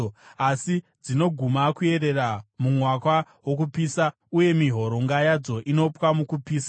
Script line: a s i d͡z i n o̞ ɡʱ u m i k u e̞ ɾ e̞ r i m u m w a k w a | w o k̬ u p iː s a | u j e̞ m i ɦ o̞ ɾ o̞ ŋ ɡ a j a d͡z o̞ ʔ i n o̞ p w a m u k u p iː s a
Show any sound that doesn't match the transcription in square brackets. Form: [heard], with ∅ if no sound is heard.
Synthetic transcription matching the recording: a s i d͡z i n o̞ ɡʱ u m [a] k u e̞ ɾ e̞ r [a] m u m w a k w a | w o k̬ u p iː s a | u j e̞ m i ɦ o̞ ɾ o̞ ŋ ɡ a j a d͡z o̞ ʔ i n o̞ p w a m u k u p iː s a